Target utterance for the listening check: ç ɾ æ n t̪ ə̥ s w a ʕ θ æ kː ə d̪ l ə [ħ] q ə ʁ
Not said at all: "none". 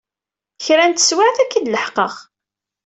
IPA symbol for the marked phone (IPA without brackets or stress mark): ħ